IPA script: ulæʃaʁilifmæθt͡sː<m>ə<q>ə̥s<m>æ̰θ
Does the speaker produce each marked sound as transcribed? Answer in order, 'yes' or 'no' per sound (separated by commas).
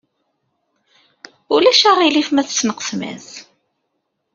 no, yes, yes